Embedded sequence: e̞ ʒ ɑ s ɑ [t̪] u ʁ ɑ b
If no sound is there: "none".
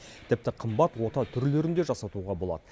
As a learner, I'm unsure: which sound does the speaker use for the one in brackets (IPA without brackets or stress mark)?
t̪